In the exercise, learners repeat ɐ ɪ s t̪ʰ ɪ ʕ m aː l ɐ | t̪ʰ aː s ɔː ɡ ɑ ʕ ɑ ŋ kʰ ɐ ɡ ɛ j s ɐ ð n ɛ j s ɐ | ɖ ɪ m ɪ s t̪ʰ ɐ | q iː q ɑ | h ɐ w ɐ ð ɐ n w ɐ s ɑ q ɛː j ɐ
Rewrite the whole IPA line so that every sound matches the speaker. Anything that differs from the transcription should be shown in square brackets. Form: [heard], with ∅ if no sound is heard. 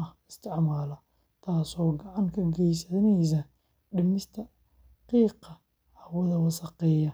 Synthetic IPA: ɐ ɪ s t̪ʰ ɪ ʕ m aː l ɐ | t̪ʰ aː s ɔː ɡ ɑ ʕ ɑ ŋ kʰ ɐ ɡ ɛ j s ɐ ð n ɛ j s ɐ | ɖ ɪ m ɪ s t̪ʰ ɐ | q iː q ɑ | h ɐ w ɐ ð ɐ [∅] w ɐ s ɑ q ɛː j ɐ

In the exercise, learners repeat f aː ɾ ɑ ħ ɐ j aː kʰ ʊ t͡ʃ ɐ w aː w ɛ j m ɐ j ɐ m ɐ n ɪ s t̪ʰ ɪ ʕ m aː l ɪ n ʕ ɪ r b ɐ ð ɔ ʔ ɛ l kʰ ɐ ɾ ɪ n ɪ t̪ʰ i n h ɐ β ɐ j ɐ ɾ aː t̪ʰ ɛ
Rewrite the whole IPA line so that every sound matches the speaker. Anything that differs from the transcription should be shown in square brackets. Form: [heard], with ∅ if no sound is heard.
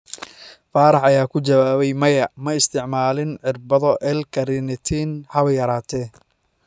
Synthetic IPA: f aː ɾ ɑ ħ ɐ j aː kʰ ʊ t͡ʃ ɐ w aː [β] ɛ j m ɐ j ɐ m ɐ [∅] ɪ s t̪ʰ ɪ ʕ m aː l ɪ n ʕ ɪ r b ɐ ð ɔ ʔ ɛ l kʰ ɐ ɾ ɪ n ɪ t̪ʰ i n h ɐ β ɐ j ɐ ɾ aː t̪ʰ ɛ

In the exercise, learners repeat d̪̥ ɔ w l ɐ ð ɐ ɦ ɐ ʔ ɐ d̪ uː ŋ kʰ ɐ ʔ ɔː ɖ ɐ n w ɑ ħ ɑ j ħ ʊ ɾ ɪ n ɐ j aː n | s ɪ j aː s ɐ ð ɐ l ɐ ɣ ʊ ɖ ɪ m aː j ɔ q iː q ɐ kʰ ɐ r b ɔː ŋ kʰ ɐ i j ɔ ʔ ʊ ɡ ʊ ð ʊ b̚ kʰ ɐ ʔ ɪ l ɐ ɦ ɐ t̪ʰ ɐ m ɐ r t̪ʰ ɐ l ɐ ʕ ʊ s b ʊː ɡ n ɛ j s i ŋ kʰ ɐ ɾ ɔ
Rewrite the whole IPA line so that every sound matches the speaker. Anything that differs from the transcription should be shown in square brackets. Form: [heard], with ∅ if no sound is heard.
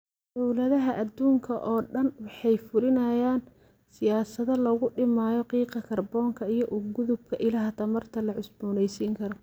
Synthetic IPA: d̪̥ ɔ w l ɐ ð ɐ ɦ ɐ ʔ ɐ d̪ uː ŋ kʰ ɐ ʔ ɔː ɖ ɐ n w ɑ ħ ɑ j [f] ʊ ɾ ɪ n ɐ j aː n | s ɪ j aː s ɐ ð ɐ l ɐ ɣ ʊ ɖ ɪ m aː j ɔ q iː q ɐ kʰ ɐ r b ɔː ŋ kʰ ɐ i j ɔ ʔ ʊ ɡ ʊ ð ʊ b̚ kʰ ɐ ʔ ɪ l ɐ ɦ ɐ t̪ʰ ɐ m ɐ r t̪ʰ ɐ l ɐ ʕ ʊ s b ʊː [∅] n ɛ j s [iː] ŋ kʰ ɐ ɾ ɔ

